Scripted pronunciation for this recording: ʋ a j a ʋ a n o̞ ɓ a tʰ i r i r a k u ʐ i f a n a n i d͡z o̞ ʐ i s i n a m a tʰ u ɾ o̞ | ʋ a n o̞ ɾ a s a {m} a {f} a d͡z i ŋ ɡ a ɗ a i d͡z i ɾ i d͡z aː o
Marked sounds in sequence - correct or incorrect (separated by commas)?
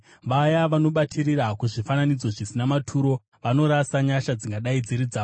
incorrect, incorrect